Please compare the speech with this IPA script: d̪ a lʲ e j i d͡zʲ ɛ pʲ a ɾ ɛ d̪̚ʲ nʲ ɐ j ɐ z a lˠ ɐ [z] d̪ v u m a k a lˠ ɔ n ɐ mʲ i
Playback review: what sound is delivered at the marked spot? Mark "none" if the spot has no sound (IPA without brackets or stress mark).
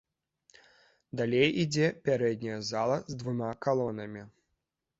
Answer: z